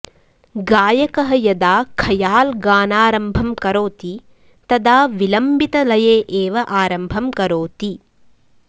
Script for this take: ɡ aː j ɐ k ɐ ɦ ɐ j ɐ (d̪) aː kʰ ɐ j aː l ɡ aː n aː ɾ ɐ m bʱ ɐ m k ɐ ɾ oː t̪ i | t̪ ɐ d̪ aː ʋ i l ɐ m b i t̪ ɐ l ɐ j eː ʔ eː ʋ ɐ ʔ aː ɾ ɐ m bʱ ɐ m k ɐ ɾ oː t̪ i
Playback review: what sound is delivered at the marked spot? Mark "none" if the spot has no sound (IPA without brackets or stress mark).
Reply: d̪